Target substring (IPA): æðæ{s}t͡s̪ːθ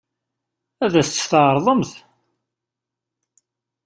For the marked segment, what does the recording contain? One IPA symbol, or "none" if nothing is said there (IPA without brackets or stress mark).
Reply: s